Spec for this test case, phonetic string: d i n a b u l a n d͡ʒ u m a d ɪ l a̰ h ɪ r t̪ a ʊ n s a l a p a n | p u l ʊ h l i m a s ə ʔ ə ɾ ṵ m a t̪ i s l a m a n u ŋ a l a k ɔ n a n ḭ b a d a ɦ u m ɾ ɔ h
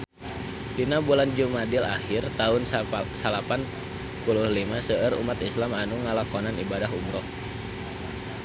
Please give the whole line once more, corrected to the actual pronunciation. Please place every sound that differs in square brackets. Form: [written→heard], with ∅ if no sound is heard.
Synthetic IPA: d i n a b u l a n d͡ʒ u m a d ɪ l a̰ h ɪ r t̪ a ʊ n s a l a p a n | p u l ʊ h l i m a s ə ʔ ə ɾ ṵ m a t̪ i s l a m a n u ŋ a l a k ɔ n a n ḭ b a d a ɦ u m ɾ ɔ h